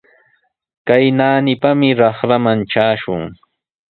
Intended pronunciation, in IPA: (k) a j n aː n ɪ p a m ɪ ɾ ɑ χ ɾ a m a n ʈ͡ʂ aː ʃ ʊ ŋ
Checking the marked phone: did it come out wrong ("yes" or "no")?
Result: no